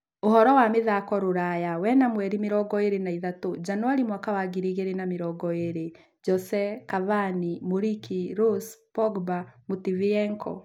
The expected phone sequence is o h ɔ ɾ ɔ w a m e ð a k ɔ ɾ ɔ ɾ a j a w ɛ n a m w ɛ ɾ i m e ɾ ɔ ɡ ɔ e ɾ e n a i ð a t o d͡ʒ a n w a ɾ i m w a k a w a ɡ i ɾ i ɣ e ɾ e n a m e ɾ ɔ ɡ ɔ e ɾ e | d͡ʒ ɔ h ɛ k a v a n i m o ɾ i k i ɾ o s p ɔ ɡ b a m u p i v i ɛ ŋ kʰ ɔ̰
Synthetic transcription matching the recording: o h ɔ ɾ ɔ w a m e ð a k ɔ ɾ o ɾ a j a w ɛ n a m w ɛ ɾ i m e ɾ ɔ ɡ ɔ e ɾ e n a i ð a t o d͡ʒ a n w a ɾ i m w a k a w a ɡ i ɾ i ɣ e ɾ e n a m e ɾ ɔ ɡ ɔ e ɾ e | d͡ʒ ɔ s ɛ k a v a n i m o ɾ i k i ɾ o s p ɔ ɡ b a m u t i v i ɛ ŋ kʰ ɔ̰